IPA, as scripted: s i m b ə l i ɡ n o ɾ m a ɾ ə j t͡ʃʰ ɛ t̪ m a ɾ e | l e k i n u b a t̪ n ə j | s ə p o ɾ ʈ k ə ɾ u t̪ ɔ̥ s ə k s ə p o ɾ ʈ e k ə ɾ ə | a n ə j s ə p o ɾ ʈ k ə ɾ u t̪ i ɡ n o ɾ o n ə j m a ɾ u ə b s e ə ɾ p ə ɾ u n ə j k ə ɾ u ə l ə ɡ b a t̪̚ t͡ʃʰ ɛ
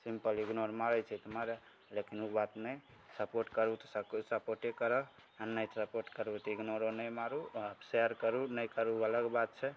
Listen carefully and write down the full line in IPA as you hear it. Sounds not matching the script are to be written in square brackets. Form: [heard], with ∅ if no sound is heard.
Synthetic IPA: s i m [p] ə l i ɡ n o ɾ m a ɾ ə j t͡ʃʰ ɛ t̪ m a ɾ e | l e k i n u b a t̪ n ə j | s ə p o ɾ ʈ k ə ɾ u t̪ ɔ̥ s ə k s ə p o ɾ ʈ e k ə ɾ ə | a n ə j s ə p o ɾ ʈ k ə ɾ u t̪ i ɡ n o ɾ o n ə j m a ɾ u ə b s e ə ɾ [k] ə ɾ u n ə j k ə ɾ u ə l ə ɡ b a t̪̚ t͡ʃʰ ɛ